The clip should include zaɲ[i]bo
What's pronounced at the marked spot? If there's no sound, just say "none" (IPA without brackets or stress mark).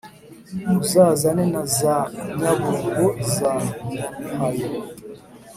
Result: a